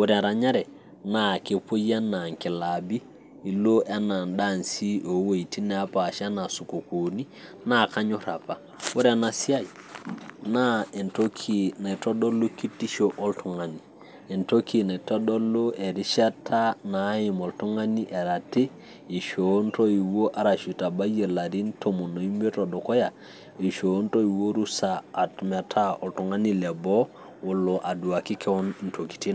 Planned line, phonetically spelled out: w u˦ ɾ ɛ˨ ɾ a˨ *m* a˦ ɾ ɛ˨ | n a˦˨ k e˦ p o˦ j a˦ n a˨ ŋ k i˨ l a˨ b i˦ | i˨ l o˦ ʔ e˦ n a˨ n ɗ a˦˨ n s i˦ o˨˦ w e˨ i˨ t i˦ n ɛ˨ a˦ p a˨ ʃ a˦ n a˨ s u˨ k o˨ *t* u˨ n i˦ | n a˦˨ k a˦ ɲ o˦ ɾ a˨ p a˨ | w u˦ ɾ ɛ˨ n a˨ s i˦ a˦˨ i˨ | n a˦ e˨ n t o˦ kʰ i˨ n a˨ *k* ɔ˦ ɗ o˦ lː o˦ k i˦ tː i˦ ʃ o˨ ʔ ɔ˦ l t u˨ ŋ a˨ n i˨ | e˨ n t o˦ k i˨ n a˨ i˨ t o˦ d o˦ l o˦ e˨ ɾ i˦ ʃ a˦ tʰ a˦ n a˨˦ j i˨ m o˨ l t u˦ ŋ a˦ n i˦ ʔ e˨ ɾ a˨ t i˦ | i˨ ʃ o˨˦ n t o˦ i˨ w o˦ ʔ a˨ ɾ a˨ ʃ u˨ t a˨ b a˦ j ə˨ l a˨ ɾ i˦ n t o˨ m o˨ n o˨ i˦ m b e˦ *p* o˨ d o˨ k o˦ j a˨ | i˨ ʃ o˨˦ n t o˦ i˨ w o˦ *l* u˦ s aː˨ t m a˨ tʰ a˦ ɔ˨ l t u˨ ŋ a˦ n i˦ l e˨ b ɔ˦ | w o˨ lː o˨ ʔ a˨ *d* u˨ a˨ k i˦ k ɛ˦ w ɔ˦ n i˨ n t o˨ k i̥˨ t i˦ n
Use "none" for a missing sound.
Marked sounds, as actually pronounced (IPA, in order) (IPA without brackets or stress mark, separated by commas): ɲ, k, t, t, ɾ, d